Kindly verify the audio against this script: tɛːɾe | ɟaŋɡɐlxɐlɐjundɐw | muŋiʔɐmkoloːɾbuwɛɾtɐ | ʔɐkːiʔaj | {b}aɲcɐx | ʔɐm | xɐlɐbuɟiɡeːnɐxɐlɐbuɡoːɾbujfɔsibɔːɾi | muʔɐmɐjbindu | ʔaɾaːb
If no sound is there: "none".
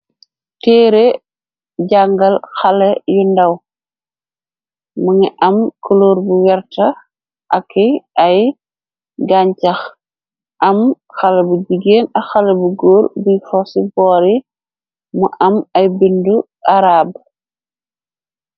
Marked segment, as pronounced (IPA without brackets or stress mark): ɡ